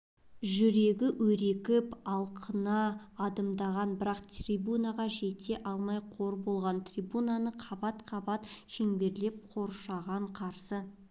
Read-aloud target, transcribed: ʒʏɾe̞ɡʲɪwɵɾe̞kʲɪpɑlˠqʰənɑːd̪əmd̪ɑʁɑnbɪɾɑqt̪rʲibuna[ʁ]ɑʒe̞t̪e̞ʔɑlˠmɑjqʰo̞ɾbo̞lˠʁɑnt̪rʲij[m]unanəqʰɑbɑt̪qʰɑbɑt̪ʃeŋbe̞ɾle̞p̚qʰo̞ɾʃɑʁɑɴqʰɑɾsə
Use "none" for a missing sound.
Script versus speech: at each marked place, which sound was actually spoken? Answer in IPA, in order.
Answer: ʁ, b

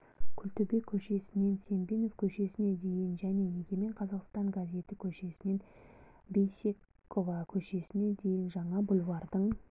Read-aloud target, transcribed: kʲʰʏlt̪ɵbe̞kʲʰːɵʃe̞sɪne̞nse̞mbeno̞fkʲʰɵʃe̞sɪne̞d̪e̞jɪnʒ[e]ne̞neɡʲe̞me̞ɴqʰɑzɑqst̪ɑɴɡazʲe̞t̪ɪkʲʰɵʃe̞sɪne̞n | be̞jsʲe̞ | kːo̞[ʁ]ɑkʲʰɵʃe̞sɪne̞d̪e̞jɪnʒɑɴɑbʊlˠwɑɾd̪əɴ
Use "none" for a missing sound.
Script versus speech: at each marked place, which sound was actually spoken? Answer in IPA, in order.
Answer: æ, v

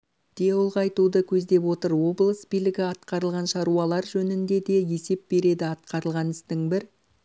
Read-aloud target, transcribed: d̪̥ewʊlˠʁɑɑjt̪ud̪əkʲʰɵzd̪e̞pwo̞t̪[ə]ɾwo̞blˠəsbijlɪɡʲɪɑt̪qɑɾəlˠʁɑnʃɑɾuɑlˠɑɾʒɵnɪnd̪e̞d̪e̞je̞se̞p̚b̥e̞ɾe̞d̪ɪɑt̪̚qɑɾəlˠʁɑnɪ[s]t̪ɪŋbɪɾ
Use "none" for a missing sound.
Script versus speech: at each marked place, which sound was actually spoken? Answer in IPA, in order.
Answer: ə, s

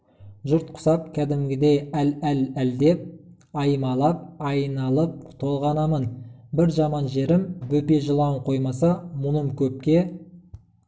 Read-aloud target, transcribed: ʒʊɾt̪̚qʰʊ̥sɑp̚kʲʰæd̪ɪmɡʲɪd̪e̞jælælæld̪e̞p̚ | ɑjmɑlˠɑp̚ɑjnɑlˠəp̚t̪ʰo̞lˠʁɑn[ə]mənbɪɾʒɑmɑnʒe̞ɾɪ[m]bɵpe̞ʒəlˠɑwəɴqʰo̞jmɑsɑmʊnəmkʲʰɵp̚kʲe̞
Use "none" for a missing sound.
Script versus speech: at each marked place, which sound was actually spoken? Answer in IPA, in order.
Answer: ɑ, m

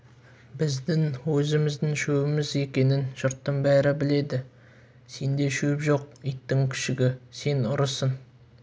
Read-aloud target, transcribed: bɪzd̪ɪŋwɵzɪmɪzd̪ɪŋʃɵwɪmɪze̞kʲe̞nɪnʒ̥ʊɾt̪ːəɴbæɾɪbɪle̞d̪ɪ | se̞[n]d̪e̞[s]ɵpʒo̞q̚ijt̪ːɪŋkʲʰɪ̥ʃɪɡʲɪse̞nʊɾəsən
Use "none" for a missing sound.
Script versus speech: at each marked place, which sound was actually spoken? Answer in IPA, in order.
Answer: n, ʃ

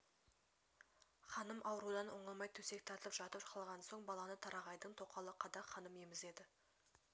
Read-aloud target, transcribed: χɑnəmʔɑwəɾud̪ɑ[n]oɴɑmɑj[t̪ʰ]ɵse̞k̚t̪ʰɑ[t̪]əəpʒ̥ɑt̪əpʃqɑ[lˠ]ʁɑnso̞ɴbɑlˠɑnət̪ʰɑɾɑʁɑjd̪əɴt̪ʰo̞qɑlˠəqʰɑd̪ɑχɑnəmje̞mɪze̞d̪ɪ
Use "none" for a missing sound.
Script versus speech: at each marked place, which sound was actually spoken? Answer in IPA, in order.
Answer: n, t̪ʰ, t̪, lˠ

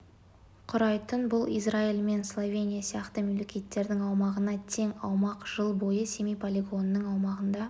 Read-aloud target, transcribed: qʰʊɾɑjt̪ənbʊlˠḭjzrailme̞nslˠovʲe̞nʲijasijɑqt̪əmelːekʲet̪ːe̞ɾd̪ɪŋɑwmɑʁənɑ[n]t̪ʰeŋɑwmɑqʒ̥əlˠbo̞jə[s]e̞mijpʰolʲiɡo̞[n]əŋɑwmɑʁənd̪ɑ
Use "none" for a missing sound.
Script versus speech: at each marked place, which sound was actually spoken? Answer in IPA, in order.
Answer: none, s, nː

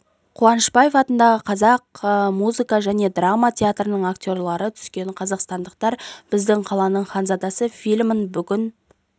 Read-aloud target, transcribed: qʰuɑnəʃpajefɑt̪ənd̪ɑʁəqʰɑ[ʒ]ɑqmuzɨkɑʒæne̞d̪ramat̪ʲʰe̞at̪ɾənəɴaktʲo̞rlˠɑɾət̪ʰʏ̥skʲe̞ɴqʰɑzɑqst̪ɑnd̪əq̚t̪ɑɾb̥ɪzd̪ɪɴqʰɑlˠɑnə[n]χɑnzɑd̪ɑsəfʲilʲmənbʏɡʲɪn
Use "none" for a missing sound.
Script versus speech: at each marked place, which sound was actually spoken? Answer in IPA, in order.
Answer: z, ɴ

